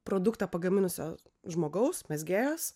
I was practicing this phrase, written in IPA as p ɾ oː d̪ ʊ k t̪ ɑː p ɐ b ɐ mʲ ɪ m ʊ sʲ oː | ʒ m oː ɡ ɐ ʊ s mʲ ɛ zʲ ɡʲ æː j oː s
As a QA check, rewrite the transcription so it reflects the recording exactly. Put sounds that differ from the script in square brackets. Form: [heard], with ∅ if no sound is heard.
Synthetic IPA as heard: p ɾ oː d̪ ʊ k t̪ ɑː p ɐ [ɡ] ɐ mʲ ɪ [n] ʊ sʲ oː | ʒ m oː ɡ ɐ ʊ s mʲ ɛ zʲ ɡʲ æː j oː s